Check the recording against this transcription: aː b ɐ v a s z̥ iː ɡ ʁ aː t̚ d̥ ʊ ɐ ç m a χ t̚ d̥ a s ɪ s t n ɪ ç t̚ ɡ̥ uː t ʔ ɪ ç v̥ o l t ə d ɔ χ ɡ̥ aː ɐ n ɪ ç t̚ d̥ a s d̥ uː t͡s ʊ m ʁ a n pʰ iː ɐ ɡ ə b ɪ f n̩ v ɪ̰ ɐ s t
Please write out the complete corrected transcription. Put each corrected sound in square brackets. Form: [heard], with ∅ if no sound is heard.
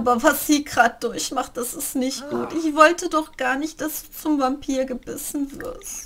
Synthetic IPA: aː b ɐ v a s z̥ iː ɡ ʁ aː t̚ d̥ ʊ ɐ ç m a χ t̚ d̥ a s ɪ s t n ɪ ç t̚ ɡ̥ uː t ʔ ɪ ç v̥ [ɔ] l t ə d ɔ χ ɡ̥ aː ɐ n ɪ ç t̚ d̥ a s d̥ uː t͡s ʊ m [v] a [m] pʰ iː ɐ ɡ ə b ɪ [s] n̩ v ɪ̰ ɐ s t